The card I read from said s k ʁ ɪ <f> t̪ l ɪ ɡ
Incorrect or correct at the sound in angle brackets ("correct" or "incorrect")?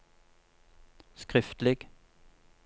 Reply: correct